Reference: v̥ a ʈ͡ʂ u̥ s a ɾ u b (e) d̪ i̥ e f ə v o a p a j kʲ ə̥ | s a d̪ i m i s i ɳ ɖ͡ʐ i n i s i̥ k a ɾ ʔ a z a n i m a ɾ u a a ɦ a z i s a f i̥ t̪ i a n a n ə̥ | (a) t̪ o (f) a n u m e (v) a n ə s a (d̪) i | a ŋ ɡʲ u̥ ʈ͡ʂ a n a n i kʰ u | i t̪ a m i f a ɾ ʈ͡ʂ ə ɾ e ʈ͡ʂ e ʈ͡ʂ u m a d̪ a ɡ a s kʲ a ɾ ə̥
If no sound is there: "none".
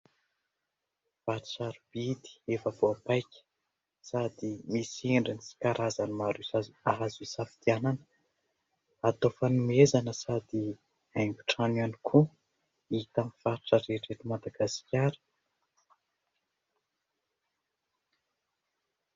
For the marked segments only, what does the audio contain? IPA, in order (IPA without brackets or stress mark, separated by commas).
i, a, f, z, d̪